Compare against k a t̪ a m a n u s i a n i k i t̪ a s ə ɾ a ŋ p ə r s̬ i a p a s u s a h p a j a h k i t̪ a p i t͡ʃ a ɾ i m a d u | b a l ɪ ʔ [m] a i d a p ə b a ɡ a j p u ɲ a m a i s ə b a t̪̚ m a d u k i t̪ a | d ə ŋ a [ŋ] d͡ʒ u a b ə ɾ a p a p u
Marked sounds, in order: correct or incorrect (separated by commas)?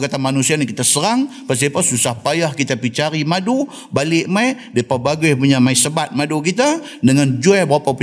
correct, incorrect